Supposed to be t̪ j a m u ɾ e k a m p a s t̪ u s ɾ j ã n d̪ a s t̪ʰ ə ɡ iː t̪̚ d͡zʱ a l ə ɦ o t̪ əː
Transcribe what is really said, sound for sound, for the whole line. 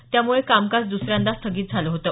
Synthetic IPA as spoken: t̪ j a m u ɭ e k a m k a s d̪ u s ɾ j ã n d̪ a s t̪ʰ ə ɡ iː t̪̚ d͡zʱ a l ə ɦ o t̪ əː